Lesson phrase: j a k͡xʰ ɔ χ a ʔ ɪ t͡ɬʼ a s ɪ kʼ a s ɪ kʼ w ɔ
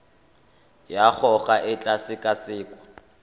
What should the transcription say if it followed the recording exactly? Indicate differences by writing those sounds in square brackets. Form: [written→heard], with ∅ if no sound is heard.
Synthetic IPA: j a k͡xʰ ɔ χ a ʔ ɪ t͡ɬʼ a s ɪ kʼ a s [ɪ→ɪː] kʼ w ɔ